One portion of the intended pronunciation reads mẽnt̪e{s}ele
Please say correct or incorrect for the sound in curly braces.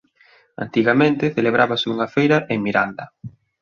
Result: incorrect